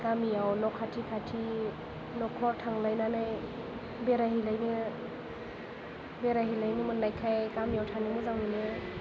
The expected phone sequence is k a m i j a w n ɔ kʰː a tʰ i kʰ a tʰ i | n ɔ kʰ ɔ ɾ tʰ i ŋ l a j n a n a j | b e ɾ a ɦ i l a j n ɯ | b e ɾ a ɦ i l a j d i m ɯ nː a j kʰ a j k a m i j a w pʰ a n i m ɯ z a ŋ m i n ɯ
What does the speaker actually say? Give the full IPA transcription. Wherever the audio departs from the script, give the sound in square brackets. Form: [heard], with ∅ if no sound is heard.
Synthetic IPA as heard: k a m i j a w n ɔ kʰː a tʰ i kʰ a tʰ i | n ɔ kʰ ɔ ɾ tʰ [a] ŋ l a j n a n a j | b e ɾ a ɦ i l a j n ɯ | b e ɾ a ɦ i l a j [n] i m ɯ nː a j kʰ a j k a m i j a w [tʰ] a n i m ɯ z a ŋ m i n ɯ

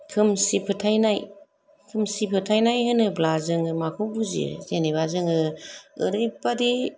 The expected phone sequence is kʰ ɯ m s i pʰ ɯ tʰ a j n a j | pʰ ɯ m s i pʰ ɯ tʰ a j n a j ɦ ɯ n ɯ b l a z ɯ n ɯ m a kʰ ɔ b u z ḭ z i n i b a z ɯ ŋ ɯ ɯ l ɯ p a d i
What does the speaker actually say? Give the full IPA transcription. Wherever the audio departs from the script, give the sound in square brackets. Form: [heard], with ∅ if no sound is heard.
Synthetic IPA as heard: kʰ ɯ m s i pʰ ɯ tʰ a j n a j | [kʰ] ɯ m s i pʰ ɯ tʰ a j n a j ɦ ɯ n ɯ b l a z ɯ [ŋ] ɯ m a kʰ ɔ b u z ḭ z [e] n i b a z ɯ ŋ ɯ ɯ [ɾ] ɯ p a d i

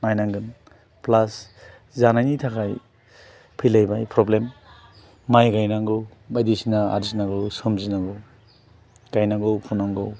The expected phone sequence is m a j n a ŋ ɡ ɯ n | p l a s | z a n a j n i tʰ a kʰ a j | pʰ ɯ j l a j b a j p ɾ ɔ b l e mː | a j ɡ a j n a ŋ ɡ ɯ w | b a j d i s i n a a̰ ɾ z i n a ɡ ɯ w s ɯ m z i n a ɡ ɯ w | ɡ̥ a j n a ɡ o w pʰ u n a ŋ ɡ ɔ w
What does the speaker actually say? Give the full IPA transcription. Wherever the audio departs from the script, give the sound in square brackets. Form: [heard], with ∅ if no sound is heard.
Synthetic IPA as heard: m a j n a ŋ ɡ ɯ n | p l a s | z a n a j n i tʰ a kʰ a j | pʰ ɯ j l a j b a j p ɾ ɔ b l e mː | a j ɡ a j n a ŋ ɡ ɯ w | b a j d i s i n a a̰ ɾ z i n a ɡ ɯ w s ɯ m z i n a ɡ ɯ w | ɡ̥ a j n a ɡ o w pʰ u n a ŋ ɡ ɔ w

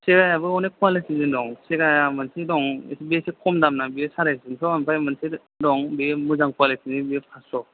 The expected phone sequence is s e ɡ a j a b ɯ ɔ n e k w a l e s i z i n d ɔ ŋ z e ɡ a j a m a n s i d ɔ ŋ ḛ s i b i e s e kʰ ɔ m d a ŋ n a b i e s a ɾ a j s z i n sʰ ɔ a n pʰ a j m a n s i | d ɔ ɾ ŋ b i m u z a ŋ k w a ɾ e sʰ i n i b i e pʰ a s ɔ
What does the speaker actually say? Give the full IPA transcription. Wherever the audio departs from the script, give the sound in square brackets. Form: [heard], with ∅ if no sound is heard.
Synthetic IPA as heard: s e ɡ a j a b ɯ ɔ n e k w a l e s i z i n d ɔ ŋ [s] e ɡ a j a m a n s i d ɔ ŋ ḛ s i b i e s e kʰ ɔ m d a [m] n a b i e s a ɾ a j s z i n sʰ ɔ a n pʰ a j m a n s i | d ɔ [∅] ŋ b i m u z a ŋ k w a [l] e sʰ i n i b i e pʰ a s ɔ

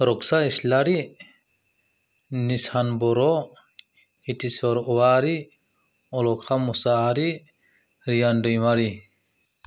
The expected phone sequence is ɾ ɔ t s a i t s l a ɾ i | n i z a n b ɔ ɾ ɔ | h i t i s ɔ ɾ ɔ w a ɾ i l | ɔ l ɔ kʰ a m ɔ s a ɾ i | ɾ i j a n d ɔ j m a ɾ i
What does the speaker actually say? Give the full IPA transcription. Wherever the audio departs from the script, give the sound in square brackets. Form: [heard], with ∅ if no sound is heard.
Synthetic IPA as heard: ɾ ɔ [k] s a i [∅] s l a ɾ i | n i [s] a n b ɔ ɾ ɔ | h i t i s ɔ ɾ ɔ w a ɾ i [∅] | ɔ l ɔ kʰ a m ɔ s a ɾ i | ɾ i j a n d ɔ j m a ɾ i

